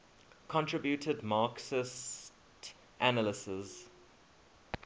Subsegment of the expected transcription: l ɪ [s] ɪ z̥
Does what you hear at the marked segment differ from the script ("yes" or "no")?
no